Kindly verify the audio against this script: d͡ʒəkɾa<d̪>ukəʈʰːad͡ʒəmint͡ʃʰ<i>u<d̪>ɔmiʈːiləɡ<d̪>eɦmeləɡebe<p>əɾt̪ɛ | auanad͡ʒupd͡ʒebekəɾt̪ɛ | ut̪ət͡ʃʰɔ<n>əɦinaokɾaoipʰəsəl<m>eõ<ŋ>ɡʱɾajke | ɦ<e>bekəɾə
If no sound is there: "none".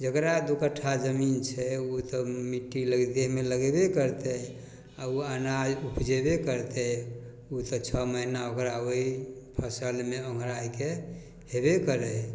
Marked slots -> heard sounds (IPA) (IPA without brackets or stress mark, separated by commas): d̪, ɛ, t̪, d̪, k, m, m, ŋ, e